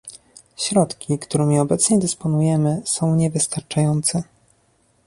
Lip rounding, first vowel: rounded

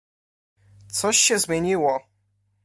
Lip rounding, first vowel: rounded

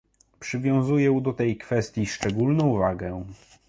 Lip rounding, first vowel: unrounded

